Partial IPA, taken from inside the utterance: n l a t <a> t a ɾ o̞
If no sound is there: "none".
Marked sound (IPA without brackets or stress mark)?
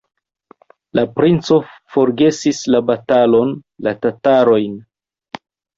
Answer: a